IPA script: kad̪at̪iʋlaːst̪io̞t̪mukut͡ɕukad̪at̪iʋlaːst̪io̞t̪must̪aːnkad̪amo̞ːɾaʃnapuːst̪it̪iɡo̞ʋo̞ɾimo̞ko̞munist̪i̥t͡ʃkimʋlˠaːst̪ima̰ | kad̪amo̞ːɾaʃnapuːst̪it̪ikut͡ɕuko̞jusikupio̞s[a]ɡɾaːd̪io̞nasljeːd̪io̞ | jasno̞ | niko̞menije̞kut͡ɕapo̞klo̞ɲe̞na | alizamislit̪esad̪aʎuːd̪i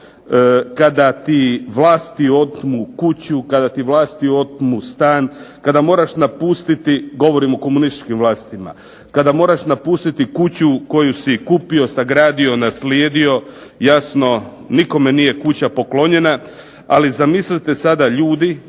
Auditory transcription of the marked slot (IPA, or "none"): a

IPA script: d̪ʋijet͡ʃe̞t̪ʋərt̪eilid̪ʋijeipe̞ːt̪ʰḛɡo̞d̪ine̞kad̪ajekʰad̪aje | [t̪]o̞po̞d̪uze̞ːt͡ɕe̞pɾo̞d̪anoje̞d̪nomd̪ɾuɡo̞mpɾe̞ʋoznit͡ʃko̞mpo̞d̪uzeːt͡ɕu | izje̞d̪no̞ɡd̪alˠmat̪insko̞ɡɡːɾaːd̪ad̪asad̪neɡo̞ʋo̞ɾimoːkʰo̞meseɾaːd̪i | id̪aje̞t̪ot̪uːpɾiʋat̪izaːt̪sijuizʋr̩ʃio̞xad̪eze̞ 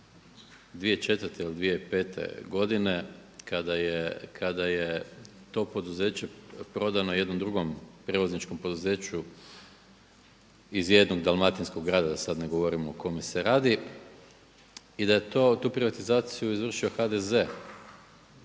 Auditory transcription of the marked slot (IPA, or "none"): t̪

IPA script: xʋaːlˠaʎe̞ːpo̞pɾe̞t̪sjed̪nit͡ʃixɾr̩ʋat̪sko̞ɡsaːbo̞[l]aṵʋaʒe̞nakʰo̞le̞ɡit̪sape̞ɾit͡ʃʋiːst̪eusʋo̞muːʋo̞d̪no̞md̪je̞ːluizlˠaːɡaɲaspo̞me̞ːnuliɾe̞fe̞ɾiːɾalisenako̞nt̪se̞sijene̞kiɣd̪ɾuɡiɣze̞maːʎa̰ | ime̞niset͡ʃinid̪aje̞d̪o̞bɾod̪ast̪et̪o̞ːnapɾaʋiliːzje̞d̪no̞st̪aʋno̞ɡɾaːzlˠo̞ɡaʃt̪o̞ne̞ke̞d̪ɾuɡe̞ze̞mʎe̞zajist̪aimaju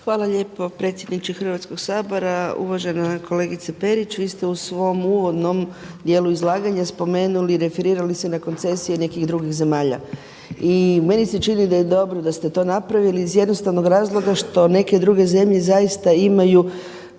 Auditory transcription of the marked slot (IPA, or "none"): ɾ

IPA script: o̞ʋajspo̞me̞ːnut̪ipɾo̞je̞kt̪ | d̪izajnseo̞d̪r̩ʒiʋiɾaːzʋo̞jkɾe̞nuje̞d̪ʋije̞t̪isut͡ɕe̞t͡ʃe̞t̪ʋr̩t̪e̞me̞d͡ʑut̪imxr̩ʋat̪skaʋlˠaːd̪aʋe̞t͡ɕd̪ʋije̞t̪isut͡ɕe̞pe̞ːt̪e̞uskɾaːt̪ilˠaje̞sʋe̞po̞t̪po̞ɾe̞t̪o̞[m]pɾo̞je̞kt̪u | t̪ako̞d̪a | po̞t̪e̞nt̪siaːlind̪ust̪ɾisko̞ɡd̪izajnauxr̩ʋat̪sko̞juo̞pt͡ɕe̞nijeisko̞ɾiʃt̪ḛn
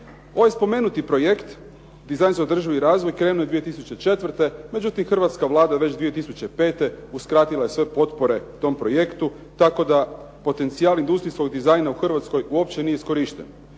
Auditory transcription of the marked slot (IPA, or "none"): m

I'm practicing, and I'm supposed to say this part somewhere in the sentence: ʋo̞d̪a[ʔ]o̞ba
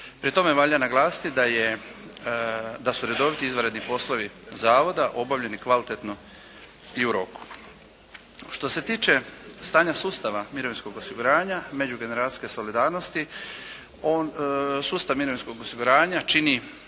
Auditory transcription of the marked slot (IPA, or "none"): ʔ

